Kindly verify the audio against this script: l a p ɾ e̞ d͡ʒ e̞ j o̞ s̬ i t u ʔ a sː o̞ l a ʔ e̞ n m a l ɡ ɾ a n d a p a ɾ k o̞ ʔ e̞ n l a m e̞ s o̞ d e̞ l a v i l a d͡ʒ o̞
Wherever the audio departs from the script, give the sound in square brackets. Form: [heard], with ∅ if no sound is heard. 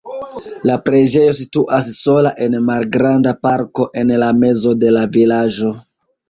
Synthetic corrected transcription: l a p ɾ e̞ d͡ʒ e̞ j o̞ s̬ i t u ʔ a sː o̞ l a ʔ e̞ n m a l ɡ ɾ a n d a p a ɾ k o̞ ʔ e̞ n l a m e̞ [z] o̞ d e̞ l a v i l a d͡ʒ o̞